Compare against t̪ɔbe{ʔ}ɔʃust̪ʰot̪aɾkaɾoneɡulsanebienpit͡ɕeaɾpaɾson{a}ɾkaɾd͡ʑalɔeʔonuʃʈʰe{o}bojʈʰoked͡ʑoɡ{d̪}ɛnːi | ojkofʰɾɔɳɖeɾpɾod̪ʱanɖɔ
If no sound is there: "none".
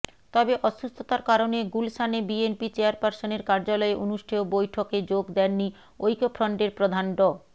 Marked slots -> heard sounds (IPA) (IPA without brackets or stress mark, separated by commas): ʔ, e, o, d̪